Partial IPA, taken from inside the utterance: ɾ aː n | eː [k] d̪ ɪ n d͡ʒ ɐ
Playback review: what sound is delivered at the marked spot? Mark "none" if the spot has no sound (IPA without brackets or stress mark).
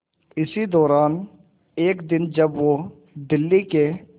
k